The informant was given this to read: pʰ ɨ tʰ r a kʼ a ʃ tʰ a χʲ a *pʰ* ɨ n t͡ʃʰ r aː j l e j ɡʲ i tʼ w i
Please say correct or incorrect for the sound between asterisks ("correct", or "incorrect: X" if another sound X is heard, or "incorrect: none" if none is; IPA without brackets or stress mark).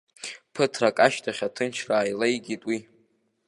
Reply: incorrect: tʰ